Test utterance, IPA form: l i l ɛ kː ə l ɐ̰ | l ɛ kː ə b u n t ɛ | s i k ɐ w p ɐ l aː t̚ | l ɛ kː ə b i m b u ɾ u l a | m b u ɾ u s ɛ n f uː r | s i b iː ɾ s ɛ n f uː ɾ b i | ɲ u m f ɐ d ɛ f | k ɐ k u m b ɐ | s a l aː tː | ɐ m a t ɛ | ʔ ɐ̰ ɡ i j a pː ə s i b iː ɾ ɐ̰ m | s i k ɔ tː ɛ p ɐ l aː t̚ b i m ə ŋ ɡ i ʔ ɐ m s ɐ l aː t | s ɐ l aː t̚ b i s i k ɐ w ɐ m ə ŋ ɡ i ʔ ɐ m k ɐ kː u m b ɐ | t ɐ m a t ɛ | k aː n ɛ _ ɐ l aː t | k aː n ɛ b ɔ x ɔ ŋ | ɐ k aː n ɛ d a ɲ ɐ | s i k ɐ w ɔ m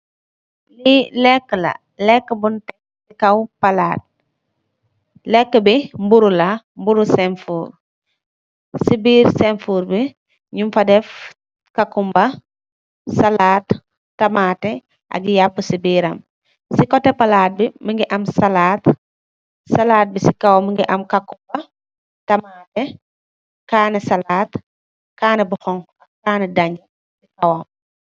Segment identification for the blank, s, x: s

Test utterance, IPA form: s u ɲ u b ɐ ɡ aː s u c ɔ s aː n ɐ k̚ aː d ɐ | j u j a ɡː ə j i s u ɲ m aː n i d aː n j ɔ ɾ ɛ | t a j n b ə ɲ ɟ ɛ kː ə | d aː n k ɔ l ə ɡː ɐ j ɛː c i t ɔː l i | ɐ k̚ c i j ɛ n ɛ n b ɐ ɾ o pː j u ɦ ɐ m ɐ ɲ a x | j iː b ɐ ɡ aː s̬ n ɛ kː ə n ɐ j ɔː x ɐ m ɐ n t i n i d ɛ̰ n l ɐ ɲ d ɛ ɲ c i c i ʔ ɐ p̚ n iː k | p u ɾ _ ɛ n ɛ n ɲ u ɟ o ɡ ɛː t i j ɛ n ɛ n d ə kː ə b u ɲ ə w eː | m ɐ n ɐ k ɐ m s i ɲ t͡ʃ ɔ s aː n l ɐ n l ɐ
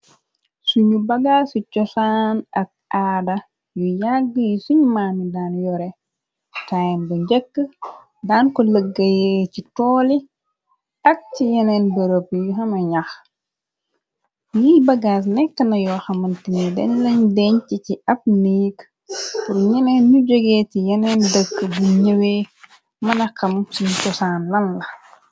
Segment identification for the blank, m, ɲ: ɲ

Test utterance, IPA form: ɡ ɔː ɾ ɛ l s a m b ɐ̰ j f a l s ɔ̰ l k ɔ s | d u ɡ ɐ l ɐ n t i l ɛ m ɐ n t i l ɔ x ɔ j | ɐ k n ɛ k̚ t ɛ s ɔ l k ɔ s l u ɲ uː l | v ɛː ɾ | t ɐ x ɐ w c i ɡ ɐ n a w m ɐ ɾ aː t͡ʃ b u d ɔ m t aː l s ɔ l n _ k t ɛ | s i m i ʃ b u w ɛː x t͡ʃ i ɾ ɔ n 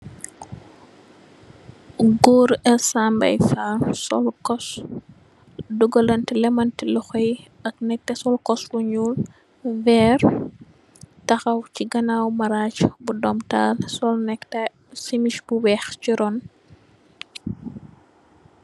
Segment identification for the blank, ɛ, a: ɛ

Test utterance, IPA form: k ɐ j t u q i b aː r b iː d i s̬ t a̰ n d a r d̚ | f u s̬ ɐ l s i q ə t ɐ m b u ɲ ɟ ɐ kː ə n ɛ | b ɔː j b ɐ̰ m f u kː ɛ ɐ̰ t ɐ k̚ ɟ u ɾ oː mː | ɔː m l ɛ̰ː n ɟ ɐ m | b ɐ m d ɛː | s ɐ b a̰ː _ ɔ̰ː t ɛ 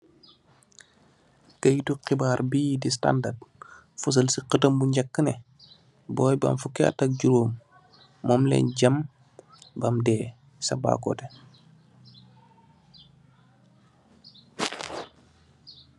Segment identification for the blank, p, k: k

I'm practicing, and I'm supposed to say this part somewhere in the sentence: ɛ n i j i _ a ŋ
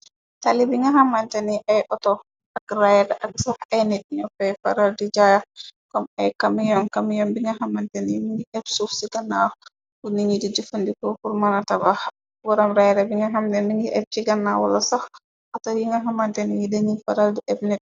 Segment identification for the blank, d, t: d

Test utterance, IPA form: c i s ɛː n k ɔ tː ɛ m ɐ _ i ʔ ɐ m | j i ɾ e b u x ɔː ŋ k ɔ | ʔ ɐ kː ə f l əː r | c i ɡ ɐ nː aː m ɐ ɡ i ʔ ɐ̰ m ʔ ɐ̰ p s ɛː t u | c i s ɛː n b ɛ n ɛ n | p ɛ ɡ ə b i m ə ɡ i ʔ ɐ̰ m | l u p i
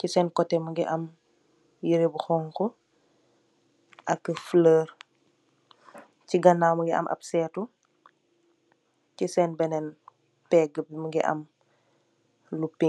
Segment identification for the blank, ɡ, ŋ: ɡ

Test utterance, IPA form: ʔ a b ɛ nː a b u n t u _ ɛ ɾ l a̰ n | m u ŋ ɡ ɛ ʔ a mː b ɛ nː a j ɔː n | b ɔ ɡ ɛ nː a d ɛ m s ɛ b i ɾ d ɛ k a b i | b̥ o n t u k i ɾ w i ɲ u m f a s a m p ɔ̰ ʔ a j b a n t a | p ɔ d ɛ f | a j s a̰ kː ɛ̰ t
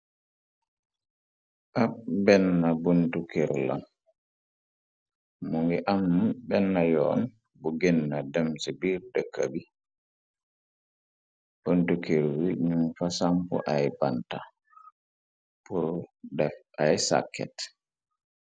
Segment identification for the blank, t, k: k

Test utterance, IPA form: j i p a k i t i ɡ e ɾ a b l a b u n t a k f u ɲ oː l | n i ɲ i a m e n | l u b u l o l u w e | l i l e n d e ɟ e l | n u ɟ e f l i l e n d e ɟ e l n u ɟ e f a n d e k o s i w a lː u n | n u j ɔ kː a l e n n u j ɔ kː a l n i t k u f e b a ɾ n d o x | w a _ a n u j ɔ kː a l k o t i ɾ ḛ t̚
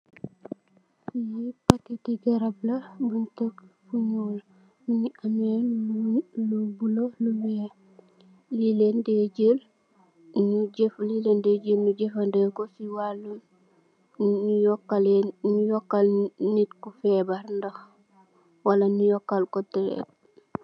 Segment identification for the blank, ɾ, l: l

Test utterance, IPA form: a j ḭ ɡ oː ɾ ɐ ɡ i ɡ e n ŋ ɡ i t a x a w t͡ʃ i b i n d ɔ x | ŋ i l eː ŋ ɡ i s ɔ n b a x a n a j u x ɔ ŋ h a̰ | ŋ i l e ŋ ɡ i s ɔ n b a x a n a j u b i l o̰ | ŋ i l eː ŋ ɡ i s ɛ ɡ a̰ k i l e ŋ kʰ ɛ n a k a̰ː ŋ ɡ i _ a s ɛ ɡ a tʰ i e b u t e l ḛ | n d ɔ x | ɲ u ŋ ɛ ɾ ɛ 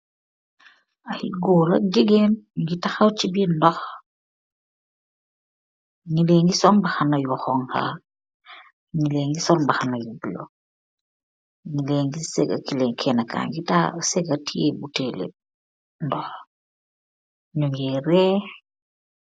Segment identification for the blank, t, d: t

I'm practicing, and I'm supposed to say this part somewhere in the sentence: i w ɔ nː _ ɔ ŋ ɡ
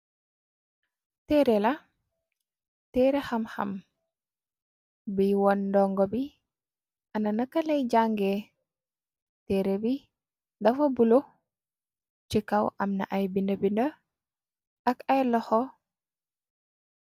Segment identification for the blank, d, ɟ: d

